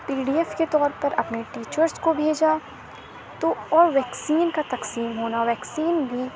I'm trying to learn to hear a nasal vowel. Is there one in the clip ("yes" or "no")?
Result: no